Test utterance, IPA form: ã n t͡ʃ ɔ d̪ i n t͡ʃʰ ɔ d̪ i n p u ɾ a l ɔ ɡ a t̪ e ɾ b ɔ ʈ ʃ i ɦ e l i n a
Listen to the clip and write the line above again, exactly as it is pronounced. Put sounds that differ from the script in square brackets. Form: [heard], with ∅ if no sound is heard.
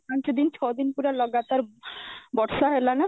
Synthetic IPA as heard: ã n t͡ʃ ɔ d̪ i n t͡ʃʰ ɔ d̪ i n p u ɾ a l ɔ ɡ a t̪ [a] ɾ b ɔ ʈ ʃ [a] ɦ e l [a] n a